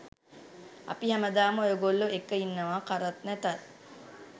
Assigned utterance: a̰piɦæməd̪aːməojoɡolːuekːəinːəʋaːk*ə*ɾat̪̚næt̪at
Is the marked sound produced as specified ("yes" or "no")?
no